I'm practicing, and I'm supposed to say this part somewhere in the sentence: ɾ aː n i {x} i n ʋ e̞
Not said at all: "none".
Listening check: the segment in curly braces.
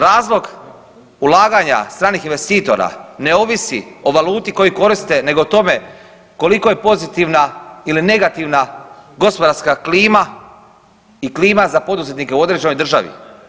x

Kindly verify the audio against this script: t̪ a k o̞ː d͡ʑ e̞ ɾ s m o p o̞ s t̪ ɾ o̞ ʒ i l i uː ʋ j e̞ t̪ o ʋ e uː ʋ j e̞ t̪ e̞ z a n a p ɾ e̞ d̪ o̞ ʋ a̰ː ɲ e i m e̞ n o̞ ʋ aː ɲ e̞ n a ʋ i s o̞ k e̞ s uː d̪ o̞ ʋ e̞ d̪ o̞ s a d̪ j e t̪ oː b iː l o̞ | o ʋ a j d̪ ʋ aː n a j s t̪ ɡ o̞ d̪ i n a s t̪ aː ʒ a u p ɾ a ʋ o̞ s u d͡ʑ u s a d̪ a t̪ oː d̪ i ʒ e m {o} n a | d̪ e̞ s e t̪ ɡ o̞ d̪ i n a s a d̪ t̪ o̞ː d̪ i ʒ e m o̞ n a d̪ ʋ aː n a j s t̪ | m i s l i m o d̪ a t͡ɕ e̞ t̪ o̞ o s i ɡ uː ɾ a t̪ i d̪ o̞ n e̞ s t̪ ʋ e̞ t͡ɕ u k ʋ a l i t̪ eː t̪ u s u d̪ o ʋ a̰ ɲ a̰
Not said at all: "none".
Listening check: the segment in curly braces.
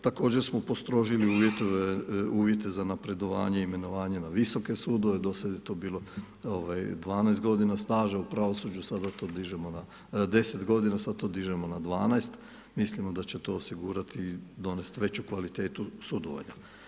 o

